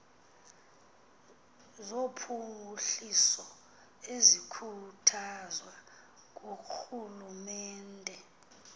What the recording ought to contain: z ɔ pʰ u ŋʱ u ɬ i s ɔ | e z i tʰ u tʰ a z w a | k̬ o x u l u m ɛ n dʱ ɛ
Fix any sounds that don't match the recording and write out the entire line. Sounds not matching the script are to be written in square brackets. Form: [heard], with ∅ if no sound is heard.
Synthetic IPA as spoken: z [o] pʰ u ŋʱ u ɬ i s ɔ | e z i [kʰ] u tʰ a z w a | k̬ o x u l u m [ɛː] n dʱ ɛ